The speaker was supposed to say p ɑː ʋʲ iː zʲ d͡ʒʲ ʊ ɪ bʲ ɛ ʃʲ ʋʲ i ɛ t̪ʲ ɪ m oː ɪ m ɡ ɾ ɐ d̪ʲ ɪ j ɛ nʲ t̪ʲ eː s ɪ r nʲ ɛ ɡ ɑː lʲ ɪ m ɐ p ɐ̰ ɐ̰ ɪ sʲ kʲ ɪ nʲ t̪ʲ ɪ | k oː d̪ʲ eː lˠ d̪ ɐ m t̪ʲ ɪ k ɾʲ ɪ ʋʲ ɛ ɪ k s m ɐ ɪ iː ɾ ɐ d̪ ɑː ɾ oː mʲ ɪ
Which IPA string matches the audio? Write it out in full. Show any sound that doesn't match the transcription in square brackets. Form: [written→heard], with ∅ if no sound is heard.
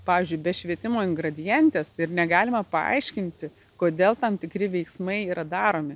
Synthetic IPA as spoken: p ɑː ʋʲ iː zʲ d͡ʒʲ ʊ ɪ bʲ ɛ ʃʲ ʋʲ i ɛ t̪ʲ ɪ m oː ɪ [m→ŋ] ɡ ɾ ɐ d̪ʲ ɪ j ɛ nʲ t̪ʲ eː s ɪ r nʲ ɛ ɡ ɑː lʲ ɪ m ɐ p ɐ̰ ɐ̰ ɪ [sʲ→ʃʲ] kʲ ɪ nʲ t̪ʲ ɪ | k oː d̪ʲ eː lˠ [d̪→t̪] ɐ m t̪ʲ ɪ k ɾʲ ɪ ʋʲ ɛ ɪ k s m ɐ ɪ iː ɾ ɐ d̪ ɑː ɾ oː mʲ ɪ